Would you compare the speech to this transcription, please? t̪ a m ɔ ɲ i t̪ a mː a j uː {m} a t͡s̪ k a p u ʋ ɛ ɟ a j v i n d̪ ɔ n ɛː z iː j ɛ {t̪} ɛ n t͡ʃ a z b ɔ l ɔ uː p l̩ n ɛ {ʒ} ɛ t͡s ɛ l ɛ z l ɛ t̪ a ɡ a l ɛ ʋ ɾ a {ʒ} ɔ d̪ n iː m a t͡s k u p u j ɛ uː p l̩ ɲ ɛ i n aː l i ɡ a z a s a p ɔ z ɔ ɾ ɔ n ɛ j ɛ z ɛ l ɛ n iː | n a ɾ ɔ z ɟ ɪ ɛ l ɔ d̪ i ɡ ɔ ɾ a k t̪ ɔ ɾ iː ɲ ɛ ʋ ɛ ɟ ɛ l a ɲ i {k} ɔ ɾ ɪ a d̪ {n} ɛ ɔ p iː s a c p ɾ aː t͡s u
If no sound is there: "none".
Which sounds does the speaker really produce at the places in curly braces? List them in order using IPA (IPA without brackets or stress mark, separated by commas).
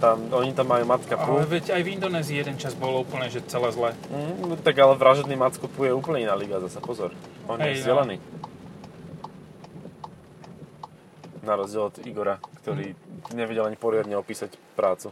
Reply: m, d̪, ʒ, ʒ, p, ɲ